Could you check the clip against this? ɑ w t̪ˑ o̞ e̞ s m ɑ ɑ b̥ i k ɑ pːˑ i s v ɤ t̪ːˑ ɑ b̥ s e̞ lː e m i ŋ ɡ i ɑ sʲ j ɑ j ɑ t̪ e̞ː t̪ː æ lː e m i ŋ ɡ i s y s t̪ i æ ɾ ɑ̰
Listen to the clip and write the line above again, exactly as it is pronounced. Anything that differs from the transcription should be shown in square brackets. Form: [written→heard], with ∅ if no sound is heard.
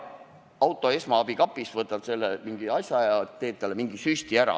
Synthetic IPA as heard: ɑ w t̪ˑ o̞ e̞ s m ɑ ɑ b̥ i k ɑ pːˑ i s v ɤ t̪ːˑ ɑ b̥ s e̞ lː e m i ŋ ɡ i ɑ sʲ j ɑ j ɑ t̪ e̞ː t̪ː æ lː e m i ŋ ɡ i s y s t̪ i æ ɾ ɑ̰

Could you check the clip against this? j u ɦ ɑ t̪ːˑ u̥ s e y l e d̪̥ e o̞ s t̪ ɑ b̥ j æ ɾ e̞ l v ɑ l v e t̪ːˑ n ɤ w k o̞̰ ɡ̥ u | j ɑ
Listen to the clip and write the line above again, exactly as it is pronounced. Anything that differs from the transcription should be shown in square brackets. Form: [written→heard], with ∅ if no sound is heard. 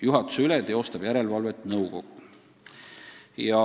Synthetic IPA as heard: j u ɦ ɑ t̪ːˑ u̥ s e y l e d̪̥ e o̞ s t̪ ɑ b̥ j æ ɾ e̞ l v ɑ l v e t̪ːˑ n ɤ w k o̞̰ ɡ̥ u | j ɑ

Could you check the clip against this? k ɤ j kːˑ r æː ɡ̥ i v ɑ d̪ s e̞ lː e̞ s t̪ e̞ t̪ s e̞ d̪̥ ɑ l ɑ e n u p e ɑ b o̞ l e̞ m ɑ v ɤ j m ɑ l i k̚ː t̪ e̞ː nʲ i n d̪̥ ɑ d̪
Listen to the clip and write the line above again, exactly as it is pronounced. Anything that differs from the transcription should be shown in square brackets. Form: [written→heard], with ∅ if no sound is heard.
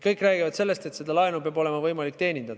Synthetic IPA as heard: k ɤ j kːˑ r æː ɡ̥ i v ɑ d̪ s e̞ lː e̞ s t̪ e̞ t̪ s e̞ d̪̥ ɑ l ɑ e n u p e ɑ b o̞ l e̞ m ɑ v ɤ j m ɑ l i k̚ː t̪ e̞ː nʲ i n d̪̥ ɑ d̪

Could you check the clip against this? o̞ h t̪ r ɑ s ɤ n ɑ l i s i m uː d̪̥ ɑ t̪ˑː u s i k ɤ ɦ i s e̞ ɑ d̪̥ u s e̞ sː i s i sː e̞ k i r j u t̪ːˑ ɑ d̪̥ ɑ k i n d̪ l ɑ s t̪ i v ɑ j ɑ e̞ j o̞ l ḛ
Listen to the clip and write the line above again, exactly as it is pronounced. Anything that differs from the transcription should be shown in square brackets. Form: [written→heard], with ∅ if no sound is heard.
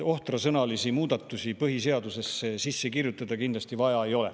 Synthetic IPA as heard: o̞ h t̪ r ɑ s ɤ n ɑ l i s i m uː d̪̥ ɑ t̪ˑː u s i [k→p] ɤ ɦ i s e̞ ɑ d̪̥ u s e̞ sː [i→e] s i sː e̞ k i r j u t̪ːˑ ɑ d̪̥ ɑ k i n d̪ l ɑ s t̪ i v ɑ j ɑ e̞ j o̞ l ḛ

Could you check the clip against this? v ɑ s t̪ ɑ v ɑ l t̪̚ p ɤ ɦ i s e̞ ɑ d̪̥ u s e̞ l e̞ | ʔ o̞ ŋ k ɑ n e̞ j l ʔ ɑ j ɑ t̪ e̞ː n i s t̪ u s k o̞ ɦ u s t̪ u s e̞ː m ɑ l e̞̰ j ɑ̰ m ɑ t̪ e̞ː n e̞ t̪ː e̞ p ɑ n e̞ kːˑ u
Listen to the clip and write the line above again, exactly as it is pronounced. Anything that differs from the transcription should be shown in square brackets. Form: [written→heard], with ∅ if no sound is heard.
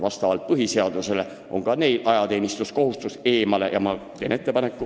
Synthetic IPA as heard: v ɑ s t̪ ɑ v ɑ l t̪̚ p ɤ ɦ i s e̞ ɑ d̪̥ u s e̞ l e̞ | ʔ o̞ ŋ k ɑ n e̞ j l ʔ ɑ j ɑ t̪ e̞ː n i s t̪ u s k o̞ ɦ u s t̪ u s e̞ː m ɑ l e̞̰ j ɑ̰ m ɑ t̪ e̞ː n e̞ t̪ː e̞ p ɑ n e̞ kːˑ u

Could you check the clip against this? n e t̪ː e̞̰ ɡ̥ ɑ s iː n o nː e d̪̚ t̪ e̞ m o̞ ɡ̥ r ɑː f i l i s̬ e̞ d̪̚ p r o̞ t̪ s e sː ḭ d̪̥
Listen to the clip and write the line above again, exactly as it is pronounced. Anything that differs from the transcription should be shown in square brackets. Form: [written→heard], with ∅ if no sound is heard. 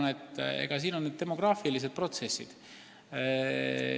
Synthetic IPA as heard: n e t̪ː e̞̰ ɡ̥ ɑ s iː n o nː e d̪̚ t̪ e̞ m o̞ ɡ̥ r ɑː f i l i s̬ e̞ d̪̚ p r o̞ t̪ s e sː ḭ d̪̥

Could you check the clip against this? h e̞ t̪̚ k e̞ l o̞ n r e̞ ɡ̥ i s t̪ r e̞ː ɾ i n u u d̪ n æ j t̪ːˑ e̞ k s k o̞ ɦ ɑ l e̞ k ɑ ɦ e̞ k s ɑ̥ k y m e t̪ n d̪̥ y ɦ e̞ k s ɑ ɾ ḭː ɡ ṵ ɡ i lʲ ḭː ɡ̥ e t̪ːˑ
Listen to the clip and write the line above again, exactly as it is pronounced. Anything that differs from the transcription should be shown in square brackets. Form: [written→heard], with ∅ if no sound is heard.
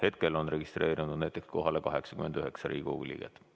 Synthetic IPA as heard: h e̞ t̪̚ k e̞ l o̞ n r e̞ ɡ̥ i s t̪ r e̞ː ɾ i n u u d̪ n æ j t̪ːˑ e̞ k s k o̞ ɦ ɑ l e̞ k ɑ ɦ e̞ k s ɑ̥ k y m e [t̪→∅] n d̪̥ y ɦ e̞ k s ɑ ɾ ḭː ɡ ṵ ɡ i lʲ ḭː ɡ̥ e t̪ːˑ

